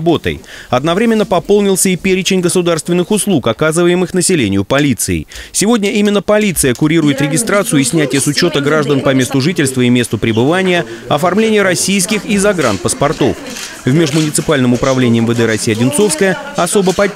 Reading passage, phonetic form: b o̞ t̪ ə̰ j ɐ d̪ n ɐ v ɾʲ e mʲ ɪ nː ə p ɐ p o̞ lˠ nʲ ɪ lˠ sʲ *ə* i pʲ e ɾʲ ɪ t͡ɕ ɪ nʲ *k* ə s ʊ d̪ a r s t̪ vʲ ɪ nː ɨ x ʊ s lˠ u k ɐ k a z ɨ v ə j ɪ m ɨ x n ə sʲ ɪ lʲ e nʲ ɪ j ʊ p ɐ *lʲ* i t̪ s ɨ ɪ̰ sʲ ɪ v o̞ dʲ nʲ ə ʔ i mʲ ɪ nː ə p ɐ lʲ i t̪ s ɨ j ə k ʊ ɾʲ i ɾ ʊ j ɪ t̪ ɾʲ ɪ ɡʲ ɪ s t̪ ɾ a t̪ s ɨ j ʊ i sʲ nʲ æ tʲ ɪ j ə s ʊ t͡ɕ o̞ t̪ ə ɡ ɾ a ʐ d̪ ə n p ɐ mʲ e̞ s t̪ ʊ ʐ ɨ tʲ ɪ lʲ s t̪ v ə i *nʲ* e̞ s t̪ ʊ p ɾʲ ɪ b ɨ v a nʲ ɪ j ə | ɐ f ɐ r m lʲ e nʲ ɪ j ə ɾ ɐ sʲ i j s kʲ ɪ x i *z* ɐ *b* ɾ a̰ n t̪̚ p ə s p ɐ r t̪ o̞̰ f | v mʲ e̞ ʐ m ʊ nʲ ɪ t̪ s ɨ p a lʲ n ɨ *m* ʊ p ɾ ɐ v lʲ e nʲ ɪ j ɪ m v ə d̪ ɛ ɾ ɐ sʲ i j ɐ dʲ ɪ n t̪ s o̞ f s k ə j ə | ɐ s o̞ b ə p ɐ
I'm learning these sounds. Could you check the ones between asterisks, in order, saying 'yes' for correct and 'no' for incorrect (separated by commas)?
yes, no, yes, no, yes, no, yes